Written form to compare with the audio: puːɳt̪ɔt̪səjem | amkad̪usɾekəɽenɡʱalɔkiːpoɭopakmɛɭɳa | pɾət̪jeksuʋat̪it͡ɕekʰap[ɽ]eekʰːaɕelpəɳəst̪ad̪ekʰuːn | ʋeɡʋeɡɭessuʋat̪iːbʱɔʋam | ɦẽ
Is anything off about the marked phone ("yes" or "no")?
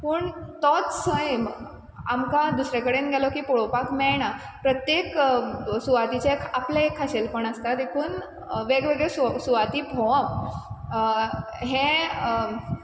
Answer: yes